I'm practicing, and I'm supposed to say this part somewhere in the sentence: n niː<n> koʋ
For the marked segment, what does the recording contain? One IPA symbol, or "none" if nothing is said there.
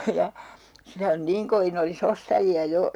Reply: ŋ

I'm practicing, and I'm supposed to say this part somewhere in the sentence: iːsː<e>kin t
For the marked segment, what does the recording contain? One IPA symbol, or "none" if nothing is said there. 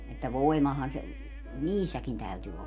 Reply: æ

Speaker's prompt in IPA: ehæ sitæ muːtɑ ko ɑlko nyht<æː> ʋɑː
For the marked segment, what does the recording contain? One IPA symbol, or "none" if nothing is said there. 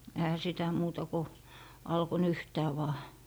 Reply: æː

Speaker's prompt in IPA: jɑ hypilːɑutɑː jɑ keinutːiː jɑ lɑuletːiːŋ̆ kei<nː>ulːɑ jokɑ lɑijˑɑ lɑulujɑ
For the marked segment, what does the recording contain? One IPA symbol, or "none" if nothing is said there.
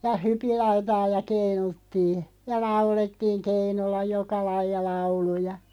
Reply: n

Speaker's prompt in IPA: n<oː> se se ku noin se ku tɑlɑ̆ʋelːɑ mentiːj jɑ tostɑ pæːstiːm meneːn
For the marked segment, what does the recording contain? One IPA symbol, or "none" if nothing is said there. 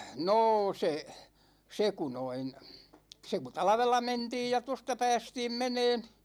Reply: oː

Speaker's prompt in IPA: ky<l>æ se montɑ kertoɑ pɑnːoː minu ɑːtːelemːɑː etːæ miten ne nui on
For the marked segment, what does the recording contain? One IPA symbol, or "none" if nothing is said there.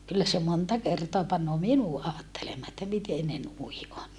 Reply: lː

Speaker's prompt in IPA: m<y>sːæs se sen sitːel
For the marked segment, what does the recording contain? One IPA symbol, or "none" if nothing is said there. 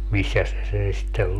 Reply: i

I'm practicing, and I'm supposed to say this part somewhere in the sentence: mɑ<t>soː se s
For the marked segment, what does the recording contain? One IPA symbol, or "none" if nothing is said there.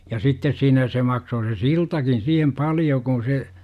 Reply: k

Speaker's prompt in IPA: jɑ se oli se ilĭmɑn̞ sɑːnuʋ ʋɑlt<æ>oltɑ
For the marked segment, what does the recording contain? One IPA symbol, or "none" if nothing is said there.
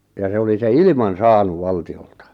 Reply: i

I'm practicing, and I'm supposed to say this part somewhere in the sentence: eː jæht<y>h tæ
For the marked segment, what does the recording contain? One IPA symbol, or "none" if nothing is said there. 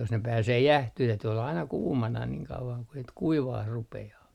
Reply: y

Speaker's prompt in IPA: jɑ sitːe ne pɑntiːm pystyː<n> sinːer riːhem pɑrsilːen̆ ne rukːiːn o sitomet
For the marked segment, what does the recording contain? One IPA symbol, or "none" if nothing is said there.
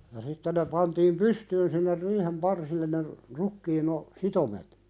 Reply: n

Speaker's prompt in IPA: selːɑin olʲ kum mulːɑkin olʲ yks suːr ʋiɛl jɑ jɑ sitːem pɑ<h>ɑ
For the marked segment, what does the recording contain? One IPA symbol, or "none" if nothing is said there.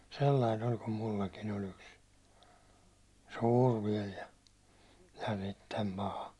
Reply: h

